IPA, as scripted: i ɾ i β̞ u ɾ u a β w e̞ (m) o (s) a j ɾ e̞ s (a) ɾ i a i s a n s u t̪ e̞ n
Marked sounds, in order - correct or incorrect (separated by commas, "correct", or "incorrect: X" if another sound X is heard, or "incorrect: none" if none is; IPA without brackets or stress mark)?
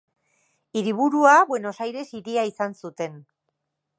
incorrect: n, correct, incorrect: i